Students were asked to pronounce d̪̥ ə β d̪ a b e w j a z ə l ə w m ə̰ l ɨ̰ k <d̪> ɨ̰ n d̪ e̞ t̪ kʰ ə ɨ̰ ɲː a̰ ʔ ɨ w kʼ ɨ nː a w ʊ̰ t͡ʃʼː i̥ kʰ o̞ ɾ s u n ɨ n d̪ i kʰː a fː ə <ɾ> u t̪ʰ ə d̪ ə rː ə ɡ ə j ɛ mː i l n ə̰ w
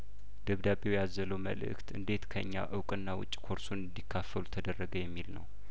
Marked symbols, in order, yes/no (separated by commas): no, no